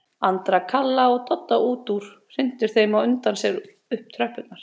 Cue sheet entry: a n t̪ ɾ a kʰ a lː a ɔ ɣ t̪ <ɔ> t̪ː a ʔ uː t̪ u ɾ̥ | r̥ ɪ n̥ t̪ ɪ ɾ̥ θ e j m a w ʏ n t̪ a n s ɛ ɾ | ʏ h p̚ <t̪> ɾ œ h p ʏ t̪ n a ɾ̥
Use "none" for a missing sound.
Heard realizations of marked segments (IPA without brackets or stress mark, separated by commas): ɔ, t̪ʰ